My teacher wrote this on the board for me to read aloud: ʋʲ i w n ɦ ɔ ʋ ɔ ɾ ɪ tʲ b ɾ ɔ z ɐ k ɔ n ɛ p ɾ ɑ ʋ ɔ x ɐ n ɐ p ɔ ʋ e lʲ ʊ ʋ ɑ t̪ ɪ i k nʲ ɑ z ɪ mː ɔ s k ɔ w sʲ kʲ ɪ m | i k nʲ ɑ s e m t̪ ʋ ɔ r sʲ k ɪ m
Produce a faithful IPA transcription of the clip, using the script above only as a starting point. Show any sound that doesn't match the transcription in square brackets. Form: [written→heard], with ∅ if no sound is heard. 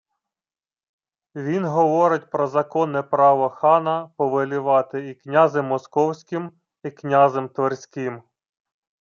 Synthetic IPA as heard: ʋʲ i [w→∅] n ɦ ɔ ʋ ɔ ɾ ɪ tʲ [b→p] ɾ ɔ z ɐ k ɔ n ɛ p ɾ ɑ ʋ ɔ x [ɐ→ɑ] n ɐ p ɔ ʋ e lʲ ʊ ʋ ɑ t̪ ɪ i k nʲ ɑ z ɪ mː ɔ s k ɔ w sʲ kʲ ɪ m | i k nʲ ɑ [s→z] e m t̪ ʋ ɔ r sʲ k ɪ m

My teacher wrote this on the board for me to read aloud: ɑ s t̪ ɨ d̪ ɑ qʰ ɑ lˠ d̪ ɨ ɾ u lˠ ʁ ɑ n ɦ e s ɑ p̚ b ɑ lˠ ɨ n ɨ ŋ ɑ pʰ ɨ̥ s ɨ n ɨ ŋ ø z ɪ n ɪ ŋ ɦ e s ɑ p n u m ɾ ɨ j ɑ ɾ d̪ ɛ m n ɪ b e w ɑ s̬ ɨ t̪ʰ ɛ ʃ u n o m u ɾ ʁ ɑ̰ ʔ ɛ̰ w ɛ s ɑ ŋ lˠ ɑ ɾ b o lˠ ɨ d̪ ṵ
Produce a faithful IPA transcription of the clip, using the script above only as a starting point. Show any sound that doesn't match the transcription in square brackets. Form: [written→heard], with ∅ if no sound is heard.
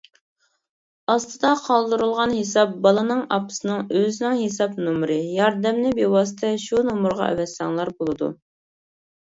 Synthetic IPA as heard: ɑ s t̪ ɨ d̪ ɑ qʰ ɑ lˠ d̪ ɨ ɾ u lˠ ʁ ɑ n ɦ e s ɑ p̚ b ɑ lˠ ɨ n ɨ ŋ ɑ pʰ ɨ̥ s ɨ n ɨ ŋ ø z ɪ n ɪ ŋ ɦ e s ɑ p n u m ɾ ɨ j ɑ ɾ d̪ ɛ m n ɪ b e w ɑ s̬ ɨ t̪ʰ ɛ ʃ u n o m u ɾ ʁ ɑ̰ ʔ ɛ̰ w ɛ s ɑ ŋ lˠ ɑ ɾ b o lˠ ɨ d̪ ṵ

